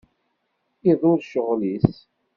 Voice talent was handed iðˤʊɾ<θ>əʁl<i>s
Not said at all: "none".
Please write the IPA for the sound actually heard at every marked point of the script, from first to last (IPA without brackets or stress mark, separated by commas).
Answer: ʃ, i